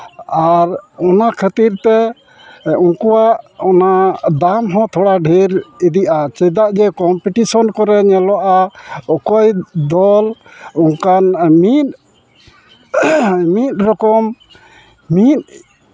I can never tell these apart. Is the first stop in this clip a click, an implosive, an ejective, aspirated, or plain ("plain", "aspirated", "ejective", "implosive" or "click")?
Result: aspirated